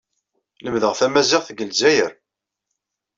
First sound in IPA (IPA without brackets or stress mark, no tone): l